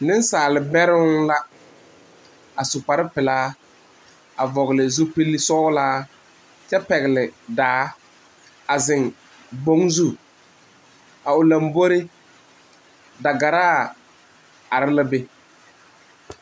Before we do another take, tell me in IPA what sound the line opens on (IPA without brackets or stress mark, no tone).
n